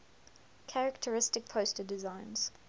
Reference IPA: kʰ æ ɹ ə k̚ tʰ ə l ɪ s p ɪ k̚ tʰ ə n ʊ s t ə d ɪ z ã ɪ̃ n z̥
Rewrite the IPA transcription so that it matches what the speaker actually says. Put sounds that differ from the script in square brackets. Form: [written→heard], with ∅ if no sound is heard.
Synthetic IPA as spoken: kʰ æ ɹ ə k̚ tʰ ə [l→ɹ] ɪ s [p→t] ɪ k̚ [tʰ→pʰ] ə [n→∅] ʊ s t ə d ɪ z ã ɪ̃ n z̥